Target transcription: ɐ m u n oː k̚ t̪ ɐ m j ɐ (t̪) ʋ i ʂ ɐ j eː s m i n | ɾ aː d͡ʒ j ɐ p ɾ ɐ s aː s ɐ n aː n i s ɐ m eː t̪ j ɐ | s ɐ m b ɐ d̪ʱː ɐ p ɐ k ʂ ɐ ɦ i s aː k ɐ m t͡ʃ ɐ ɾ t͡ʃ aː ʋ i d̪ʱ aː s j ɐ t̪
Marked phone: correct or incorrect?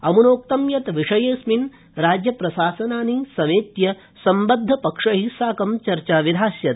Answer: correct